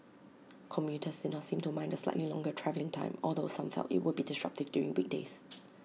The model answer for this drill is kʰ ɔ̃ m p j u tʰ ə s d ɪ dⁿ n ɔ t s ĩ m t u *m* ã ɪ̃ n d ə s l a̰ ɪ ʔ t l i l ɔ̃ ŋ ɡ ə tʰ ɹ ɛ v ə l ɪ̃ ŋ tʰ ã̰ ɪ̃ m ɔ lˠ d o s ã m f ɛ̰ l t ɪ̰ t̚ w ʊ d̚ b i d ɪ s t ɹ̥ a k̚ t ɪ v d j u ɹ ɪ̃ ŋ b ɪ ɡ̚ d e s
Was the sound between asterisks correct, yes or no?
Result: yes